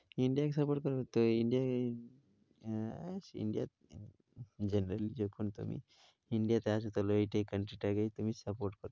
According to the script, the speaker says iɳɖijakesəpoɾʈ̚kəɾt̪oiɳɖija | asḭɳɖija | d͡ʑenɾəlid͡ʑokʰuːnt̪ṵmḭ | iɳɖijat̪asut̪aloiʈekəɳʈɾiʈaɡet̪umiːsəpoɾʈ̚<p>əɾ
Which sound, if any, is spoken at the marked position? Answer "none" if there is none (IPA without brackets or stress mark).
k